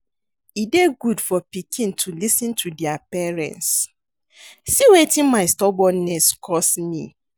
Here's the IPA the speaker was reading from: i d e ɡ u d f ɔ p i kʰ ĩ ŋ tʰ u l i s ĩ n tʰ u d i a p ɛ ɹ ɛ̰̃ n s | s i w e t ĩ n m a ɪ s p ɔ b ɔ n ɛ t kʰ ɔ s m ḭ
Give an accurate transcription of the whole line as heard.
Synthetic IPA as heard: i d e ɡ u d f ɔ p i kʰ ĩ n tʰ u l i s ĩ n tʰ u d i a p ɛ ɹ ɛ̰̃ n s | s i w e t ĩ n m a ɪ s t ɔ b ɔ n ɛ s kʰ ɔ s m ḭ